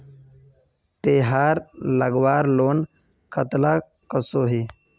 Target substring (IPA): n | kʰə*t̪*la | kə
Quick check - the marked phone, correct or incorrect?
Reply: correct